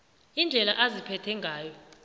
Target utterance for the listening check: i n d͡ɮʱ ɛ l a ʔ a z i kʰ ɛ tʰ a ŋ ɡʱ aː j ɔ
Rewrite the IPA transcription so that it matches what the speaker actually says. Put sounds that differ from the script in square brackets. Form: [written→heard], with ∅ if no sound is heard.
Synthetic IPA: i n d͡ɮʱ ɛ l a ʔ a z i [kʰ→pʰ] ɛ tʰ [a→ɛ] ŋ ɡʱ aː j ɔ